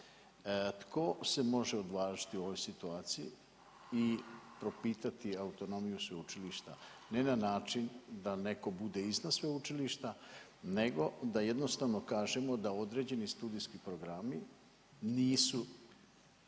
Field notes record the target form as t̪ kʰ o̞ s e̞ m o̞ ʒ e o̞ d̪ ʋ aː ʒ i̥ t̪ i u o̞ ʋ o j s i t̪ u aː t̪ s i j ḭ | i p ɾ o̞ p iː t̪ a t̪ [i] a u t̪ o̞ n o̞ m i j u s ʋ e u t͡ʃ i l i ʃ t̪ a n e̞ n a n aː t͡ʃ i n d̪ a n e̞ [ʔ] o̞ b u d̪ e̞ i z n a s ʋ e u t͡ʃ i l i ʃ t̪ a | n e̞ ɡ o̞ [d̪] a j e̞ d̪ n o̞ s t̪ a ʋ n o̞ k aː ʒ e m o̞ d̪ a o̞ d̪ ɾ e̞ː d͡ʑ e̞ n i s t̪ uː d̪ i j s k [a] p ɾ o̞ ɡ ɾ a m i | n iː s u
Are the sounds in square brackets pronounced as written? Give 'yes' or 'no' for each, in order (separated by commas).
yes, no, yes, no